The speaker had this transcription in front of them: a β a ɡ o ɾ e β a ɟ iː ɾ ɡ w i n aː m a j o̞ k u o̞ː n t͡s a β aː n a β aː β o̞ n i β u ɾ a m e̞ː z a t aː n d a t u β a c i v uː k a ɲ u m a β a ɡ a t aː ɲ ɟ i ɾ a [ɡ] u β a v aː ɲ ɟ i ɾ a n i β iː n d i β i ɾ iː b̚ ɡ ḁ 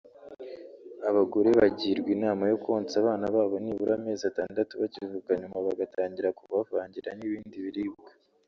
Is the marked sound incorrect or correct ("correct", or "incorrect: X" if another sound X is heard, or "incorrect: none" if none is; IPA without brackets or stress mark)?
incorrect: k